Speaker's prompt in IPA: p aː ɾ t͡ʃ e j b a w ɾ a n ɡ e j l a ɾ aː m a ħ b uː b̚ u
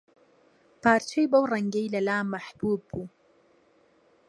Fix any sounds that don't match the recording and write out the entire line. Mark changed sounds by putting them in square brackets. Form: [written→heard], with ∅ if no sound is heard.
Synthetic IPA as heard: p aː ɾ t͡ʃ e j b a w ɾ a [n→ŋ] ɡ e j l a [ɾ→l] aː m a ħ b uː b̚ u